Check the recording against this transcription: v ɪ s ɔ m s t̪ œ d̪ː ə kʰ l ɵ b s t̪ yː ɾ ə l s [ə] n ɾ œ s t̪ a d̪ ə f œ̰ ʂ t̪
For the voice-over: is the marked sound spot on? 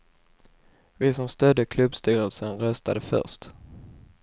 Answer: yes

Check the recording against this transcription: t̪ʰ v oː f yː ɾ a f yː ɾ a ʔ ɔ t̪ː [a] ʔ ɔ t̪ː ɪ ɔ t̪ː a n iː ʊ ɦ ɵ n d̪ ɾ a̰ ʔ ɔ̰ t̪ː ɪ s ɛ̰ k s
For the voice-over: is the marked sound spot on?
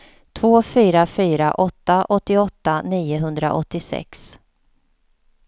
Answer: yes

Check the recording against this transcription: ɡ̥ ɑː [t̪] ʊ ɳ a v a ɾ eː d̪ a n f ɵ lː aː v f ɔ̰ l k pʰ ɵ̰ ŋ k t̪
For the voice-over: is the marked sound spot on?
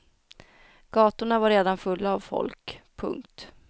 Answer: yes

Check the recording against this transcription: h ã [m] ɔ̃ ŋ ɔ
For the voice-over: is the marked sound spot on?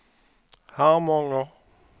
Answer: yes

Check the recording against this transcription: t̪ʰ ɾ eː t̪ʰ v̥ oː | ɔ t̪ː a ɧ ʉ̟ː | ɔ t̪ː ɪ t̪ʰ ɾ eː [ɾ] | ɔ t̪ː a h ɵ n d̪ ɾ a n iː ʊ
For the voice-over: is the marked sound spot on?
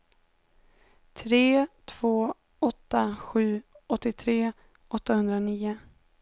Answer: no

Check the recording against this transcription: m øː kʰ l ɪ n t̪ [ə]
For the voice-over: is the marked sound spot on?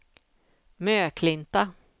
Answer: no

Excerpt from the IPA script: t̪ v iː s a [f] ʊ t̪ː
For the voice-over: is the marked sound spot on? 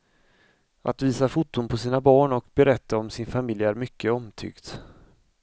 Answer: yes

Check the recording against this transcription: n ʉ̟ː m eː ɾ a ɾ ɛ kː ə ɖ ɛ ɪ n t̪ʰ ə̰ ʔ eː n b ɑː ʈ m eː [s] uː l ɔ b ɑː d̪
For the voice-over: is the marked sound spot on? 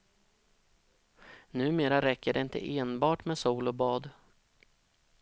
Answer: yes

